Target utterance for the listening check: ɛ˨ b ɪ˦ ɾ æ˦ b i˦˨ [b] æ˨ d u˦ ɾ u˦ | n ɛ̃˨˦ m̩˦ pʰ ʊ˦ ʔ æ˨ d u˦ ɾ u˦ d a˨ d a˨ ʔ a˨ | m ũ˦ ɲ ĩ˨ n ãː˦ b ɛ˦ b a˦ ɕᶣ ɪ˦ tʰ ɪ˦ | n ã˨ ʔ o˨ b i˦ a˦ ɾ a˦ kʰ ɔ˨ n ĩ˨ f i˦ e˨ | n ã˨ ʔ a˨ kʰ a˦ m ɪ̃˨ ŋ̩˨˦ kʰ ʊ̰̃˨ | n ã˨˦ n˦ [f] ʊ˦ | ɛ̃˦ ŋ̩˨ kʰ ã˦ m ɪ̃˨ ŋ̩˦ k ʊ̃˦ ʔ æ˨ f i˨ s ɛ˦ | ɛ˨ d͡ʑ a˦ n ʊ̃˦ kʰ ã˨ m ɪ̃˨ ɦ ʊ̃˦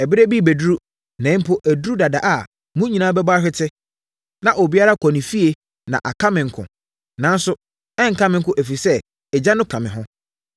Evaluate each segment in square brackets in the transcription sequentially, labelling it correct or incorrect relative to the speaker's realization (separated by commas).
correct, incorrect